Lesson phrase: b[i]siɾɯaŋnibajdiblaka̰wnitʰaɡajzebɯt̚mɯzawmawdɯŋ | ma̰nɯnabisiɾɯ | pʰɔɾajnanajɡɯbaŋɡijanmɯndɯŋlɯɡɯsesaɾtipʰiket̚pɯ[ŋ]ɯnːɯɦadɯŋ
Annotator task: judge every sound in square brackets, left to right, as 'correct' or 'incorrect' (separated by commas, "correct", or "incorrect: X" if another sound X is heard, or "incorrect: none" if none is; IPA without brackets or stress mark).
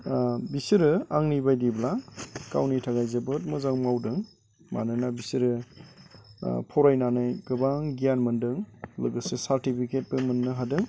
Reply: correct, incorrect: m